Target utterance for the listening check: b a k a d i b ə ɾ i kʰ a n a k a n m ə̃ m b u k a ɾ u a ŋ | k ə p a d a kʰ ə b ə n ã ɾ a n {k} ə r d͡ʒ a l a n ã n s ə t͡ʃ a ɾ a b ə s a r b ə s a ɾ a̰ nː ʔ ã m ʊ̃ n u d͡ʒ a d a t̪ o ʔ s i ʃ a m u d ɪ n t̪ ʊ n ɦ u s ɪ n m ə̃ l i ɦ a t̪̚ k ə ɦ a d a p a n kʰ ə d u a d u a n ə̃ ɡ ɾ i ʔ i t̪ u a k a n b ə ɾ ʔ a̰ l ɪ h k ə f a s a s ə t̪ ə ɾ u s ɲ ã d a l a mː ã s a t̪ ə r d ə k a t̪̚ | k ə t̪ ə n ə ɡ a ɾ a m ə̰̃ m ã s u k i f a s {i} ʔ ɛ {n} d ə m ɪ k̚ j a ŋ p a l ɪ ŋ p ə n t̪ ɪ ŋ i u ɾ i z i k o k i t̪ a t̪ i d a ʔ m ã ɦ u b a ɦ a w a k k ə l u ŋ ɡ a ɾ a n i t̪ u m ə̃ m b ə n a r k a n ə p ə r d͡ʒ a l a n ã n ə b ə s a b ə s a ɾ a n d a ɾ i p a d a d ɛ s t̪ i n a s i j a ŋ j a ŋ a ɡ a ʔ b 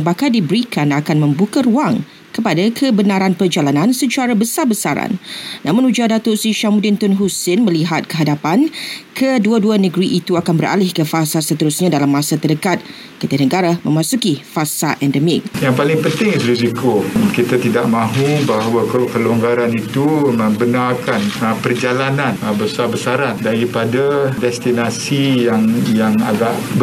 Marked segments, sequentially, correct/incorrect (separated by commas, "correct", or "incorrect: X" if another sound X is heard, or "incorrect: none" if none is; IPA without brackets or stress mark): incorrect: p, incorrect: a, correct